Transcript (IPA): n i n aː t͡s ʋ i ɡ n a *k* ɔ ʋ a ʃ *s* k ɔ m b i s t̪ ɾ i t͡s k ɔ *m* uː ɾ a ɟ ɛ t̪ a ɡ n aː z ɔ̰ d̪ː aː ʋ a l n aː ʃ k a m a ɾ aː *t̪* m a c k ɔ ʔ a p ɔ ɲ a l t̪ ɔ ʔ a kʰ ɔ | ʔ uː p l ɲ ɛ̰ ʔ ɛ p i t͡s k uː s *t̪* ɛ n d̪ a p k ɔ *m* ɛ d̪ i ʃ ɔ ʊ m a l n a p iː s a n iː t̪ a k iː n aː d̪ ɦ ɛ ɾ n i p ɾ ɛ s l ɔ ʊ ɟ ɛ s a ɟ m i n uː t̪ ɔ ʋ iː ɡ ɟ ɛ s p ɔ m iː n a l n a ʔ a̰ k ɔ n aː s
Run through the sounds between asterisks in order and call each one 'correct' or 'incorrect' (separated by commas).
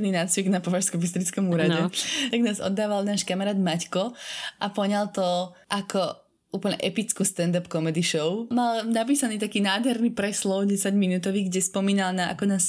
incorrect, correct, correct, incorrect, correct, correct